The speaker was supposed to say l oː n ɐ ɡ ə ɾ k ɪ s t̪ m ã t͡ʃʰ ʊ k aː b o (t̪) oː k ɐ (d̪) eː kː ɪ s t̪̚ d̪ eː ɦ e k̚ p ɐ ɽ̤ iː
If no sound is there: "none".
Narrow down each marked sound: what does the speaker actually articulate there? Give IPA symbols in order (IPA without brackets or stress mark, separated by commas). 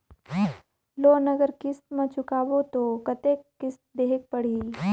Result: t̪, t̪